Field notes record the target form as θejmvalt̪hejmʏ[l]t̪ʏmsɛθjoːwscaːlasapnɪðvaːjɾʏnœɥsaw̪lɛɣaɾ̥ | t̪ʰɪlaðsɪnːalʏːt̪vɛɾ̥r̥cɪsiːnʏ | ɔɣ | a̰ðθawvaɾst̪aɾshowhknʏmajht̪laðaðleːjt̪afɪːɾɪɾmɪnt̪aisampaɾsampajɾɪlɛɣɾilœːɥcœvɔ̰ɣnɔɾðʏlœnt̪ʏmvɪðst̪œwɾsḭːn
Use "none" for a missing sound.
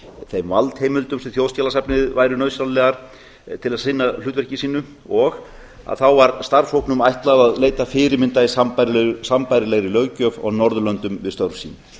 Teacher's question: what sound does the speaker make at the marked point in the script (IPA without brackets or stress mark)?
l